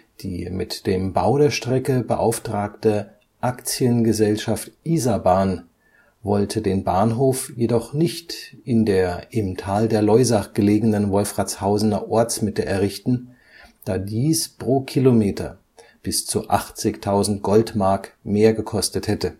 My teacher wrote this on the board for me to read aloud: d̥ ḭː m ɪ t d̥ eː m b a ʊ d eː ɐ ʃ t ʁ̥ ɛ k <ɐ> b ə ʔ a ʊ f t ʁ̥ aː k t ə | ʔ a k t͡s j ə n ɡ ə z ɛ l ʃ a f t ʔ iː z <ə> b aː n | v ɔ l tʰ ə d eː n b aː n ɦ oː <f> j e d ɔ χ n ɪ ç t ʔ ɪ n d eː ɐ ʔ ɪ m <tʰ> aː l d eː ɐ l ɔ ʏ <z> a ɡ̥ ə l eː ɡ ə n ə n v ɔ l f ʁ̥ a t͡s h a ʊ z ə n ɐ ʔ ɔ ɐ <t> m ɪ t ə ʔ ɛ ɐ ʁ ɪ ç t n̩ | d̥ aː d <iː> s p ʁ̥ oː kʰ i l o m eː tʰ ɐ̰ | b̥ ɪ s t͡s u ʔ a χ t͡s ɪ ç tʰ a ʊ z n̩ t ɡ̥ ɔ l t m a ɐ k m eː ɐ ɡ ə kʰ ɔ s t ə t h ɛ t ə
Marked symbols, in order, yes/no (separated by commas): no, no, yes, yes, yes, no, yes